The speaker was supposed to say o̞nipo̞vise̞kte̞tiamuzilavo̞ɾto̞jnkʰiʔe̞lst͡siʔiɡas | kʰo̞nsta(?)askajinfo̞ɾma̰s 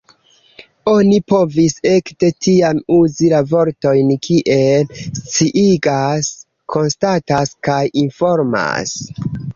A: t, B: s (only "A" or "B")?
A